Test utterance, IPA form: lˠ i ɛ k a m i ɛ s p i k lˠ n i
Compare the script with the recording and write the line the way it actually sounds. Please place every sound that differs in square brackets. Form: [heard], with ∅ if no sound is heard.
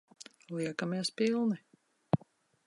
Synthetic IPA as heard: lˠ i ɛ k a m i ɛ s p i [∅] lˠ n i